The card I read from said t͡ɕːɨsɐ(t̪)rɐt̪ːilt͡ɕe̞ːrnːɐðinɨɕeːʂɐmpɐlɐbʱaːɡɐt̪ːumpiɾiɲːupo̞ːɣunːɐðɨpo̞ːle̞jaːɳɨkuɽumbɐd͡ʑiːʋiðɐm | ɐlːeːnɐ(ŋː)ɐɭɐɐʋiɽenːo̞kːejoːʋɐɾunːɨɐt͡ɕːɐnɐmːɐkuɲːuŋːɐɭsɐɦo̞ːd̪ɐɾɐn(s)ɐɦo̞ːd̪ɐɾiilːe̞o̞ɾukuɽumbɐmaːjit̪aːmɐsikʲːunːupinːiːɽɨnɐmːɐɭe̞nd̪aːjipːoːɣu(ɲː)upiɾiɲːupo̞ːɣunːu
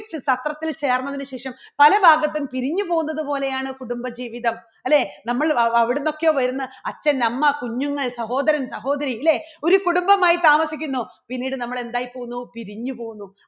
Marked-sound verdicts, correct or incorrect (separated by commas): correct, incorrect, correct, incorrect